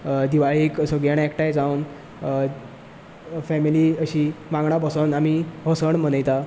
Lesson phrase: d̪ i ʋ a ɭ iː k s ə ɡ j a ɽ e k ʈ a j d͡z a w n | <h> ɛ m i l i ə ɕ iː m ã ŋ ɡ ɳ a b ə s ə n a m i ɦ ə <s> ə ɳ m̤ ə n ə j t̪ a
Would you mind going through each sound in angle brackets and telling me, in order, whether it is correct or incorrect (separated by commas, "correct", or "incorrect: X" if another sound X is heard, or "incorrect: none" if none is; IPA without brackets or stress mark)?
incorrect: f, correct